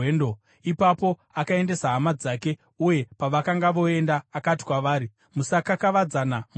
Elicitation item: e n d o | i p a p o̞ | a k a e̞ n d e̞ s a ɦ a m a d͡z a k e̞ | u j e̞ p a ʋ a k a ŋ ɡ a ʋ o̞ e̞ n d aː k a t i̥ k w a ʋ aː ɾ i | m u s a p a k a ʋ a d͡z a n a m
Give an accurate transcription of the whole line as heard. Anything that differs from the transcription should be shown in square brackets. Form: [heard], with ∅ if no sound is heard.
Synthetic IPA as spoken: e n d o | i p a p o̞ | a k a e̞ n d e̞ s a ɦ a m a d͡z a k e̞ | u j e̞ p a ʋ a k a ŋ ɡ a ʋ o̞ e̞ n d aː k a t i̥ k w a ʋ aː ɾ i | m u s a [k] a k a ʋ a d͡z a n a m